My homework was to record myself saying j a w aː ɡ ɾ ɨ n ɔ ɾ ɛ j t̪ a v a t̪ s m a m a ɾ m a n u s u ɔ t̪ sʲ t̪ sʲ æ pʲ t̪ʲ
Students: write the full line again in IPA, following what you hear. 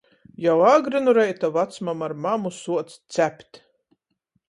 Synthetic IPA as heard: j a w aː ɡ ɾ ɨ n u ɾ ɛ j t̪ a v a t̪ s m a m a ɾ m a m u s u ɔ t̪ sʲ t̪ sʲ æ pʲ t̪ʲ